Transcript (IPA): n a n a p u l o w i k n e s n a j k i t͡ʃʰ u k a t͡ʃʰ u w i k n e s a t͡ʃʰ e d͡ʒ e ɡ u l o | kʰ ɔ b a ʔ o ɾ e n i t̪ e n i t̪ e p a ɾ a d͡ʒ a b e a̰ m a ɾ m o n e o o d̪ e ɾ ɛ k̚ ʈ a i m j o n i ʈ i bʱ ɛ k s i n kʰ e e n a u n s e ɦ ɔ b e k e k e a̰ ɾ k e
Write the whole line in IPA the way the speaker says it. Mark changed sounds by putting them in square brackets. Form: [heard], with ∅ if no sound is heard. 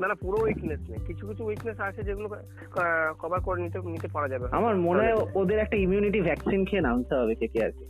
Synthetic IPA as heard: n a n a p u [ɾ] o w i k n e s n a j k i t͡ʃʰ u k [i] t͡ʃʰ u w i k n e s a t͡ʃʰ e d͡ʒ e ɡ u l o | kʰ ɔ b a [k] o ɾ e n i t̪ e n i t̪ e p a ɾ a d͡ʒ a b e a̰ m a ɾ m o n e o o d̪ e ɾ ɛ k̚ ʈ a i m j [u] n i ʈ i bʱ ɛ k s i n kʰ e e n a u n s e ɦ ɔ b e k e k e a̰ ɾ k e